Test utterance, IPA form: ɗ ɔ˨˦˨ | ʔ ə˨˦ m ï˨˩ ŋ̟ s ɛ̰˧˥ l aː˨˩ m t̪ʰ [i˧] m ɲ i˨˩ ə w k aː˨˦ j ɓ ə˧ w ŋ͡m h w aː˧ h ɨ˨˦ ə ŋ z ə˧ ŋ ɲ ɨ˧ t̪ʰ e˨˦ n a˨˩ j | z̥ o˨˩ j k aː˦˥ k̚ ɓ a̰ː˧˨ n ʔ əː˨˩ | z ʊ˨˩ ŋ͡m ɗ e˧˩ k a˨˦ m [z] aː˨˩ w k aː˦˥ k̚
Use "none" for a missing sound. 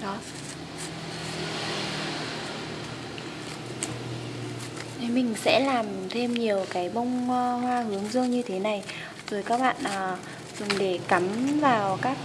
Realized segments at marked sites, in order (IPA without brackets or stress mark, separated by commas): e˧, v